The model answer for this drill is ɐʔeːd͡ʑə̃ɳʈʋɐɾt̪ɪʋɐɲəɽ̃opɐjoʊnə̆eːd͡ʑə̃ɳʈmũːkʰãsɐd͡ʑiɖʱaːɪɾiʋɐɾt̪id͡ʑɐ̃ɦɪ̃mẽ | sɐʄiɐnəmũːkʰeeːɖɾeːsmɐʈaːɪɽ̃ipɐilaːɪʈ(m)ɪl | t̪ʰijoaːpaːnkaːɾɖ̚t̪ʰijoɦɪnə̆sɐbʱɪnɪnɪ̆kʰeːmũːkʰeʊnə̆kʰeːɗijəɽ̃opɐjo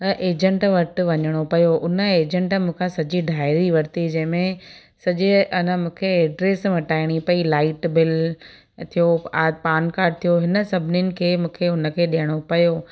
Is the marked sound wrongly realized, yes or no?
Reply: yes